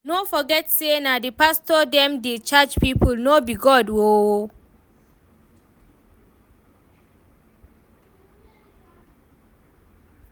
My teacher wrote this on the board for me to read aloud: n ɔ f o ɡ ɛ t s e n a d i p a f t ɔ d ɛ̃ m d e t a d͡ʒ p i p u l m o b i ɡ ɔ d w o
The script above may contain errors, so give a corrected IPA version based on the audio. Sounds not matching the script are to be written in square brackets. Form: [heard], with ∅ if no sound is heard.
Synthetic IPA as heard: n [o] f [ɔ] ɡ ɛ t s e n a d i p a [s] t ɔ d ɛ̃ m d e [t͡ʃ] a d͡ʒ p i p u l [n] o b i ɡ ɔ d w o